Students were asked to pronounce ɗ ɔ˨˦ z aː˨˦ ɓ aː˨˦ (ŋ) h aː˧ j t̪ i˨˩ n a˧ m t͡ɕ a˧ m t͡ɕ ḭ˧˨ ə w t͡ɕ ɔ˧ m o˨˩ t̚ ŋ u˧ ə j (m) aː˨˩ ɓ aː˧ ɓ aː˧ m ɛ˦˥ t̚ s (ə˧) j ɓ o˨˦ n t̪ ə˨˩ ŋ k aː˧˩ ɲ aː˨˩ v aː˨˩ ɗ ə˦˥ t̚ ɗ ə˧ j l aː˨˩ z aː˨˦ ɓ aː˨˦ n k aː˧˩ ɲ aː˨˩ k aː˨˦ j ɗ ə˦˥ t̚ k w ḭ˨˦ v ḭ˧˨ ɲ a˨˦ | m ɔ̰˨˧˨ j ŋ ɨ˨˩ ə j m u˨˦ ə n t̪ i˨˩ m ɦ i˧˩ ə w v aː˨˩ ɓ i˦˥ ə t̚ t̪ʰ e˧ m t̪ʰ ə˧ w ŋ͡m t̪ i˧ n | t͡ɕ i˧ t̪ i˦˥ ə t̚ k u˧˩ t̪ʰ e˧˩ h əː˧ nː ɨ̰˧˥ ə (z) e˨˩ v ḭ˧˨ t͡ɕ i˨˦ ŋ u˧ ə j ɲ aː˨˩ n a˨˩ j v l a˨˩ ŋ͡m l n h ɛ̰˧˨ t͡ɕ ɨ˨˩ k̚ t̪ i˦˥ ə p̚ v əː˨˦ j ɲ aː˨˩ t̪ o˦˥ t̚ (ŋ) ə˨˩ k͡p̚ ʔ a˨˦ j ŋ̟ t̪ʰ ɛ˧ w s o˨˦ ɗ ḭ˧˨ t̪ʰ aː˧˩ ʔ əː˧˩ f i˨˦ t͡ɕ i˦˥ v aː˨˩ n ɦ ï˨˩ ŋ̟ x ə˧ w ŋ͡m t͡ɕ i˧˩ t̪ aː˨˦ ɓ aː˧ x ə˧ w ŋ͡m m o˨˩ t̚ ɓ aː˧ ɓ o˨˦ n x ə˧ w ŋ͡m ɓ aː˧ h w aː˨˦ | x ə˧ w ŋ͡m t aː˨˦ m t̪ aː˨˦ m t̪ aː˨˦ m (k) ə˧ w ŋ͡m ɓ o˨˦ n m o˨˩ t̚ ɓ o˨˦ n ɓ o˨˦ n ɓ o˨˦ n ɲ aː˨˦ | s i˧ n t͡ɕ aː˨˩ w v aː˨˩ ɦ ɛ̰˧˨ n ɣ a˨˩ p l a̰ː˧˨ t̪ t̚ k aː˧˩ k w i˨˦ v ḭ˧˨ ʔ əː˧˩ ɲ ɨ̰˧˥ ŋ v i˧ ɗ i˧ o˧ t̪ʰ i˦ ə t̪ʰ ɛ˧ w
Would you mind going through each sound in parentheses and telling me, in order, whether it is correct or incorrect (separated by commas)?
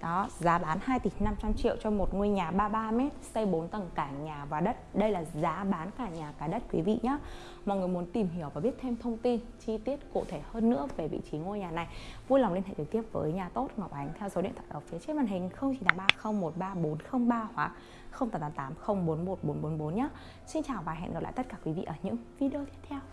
incorrect, incorrect, correct, incorrect, correct, incorrect